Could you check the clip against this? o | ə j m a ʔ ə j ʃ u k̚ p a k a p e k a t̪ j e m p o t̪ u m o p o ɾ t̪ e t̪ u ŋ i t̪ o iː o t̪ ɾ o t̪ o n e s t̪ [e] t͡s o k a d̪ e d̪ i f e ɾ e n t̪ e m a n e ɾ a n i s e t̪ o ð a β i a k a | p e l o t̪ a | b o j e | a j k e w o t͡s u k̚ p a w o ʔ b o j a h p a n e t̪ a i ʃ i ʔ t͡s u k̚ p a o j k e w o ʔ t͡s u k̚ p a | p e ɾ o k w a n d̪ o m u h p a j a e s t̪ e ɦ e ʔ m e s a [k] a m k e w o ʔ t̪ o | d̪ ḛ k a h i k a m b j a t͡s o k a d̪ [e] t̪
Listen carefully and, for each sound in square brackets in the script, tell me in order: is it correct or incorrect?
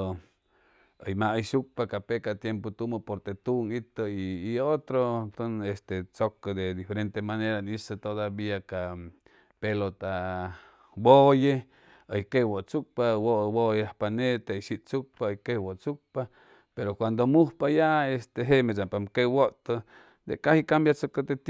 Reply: correct, incorrect, correct

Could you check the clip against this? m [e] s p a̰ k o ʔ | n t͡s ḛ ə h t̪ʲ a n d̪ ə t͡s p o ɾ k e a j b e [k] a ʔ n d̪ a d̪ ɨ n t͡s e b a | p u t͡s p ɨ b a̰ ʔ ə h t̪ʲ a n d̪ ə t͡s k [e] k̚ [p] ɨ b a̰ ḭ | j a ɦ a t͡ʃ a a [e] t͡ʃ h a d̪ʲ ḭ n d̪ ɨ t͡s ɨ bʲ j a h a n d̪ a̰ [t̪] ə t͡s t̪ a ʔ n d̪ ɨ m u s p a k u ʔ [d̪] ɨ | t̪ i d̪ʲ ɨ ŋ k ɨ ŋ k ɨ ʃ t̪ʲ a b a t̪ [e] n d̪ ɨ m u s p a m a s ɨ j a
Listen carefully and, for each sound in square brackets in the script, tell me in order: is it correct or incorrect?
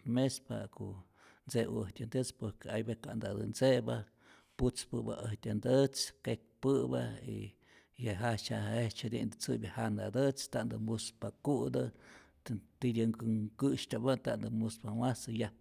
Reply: correct, correct, correct, correct, correct, incorrect, correct, incorrect

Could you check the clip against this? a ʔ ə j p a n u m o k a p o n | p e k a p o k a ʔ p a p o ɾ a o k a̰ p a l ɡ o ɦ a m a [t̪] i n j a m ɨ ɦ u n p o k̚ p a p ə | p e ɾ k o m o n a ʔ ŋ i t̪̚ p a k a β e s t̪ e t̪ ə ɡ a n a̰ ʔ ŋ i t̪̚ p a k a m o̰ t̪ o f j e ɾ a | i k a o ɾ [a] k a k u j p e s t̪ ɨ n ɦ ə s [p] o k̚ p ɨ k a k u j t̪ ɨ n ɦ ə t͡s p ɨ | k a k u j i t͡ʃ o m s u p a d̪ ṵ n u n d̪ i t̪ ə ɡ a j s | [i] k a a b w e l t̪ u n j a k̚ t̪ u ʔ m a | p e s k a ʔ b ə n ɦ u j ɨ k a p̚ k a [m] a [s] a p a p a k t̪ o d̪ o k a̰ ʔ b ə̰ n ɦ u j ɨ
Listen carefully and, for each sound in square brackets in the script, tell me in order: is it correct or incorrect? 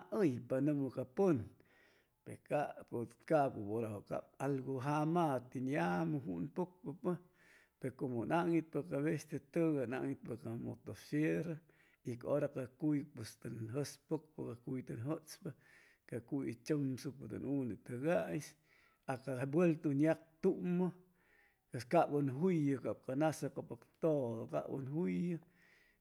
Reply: correct, correct, correct, incorrect, incorrect, correct

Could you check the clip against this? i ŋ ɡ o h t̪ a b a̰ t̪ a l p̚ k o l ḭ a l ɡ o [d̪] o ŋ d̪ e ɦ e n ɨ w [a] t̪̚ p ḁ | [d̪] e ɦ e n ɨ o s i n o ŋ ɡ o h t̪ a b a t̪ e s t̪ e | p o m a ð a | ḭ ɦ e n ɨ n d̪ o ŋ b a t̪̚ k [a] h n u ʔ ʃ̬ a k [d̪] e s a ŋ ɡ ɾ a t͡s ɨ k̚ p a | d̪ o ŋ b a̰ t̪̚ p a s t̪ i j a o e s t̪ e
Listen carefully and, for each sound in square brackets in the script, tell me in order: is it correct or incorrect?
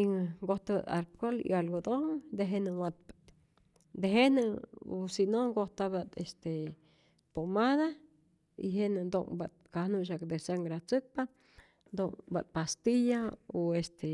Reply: correct, correct, correct, correct, correct

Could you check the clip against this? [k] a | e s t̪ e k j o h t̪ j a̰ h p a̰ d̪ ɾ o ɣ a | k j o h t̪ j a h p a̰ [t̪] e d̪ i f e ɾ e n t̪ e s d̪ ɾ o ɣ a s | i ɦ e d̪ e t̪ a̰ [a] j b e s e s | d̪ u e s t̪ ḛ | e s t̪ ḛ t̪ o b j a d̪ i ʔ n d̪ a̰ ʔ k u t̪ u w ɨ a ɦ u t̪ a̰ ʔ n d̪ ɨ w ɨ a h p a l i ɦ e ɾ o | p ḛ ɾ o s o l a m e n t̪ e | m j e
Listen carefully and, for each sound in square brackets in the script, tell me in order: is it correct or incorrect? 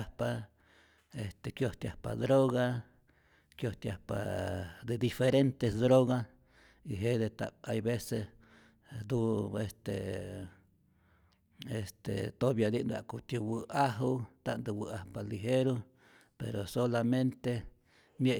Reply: incorrect, incorrect, correct

